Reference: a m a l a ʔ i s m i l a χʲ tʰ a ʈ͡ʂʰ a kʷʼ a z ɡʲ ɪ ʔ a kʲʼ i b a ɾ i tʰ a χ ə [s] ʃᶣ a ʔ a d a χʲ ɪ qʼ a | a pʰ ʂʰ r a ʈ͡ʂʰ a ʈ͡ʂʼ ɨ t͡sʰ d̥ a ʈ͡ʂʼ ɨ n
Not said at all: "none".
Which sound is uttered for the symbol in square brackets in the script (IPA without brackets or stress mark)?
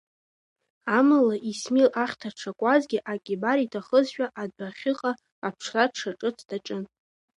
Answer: z